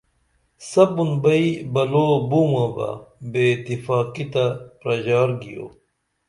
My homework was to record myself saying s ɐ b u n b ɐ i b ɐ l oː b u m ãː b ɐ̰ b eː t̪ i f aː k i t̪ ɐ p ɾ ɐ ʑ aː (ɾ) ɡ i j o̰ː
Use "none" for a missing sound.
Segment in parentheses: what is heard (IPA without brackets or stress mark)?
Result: ɾ